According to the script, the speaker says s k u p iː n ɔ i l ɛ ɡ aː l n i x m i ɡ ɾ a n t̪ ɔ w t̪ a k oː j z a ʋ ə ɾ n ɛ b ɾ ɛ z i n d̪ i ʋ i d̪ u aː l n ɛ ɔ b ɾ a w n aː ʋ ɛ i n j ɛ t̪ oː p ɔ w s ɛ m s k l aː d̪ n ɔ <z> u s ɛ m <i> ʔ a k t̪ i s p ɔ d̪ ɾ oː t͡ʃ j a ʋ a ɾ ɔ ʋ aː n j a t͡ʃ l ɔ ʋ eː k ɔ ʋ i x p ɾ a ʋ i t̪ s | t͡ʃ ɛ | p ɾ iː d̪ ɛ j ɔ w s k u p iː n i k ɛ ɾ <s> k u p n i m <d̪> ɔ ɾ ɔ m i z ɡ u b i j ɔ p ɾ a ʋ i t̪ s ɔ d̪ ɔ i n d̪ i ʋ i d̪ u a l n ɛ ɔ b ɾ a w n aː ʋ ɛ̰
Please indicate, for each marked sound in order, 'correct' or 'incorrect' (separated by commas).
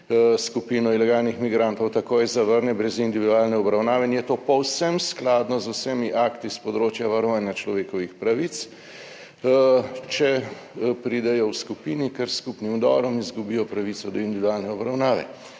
correct, correct, correct, correct